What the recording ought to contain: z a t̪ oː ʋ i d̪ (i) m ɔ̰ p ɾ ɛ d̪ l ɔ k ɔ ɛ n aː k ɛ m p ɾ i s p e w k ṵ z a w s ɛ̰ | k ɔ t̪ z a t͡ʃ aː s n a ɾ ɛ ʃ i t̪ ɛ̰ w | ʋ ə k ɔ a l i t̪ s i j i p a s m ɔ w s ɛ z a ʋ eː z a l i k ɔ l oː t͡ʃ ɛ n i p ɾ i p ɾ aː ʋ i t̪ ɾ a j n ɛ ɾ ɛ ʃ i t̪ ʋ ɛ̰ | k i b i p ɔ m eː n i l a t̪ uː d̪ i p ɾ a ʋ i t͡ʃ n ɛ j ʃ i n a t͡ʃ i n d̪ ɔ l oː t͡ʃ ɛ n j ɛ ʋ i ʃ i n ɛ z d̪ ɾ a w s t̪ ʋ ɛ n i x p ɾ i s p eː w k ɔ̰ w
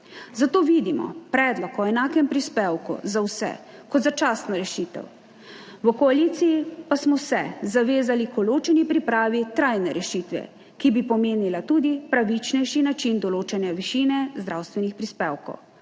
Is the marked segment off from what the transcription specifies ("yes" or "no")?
no